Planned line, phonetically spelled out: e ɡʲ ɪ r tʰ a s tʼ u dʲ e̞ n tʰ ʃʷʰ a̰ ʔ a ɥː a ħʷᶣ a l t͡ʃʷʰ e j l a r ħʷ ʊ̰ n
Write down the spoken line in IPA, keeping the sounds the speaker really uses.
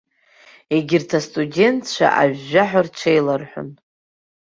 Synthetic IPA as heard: e ɡʲ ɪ r tʰ a s tʼ u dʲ e̞ n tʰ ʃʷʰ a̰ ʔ a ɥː a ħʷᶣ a r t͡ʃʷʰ e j l a r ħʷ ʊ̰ n

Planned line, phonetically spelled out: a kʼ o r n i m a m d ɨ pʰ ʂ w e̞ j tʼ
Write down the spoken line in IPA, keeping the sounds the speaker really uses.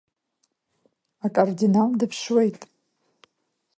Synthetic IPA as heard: a kʼ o r d i n a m d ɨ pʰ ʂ w e̞ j tʼ

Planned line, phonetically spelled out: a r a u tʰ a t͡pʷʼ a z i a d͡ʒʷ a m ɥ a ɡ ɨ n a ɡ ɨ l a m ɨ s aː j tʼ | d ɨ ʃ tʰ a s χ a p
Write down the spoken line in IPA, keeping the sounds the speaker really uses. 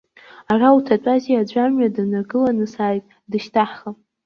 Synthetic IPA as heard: a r a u tʰ a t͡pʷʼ a z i a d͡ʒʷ a m ɥ a d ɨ n a ɡ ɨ l a n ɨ s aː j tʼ | d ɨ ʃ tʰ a ħ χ a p

